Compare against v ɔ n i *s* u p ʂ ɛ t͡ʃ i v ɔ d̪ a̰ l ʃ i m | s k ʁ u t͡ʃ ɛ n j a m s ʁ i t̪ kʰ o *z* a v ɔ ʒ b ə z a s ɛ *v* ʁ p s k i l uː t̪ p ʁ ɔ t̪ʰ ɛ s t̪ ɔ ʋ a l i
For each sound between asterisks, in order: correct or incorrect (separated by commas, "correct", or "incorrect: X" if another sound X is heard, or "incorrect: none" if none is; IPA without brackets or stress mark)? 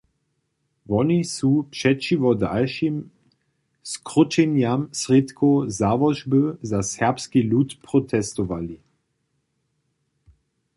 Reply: correct, correct, incorrect: none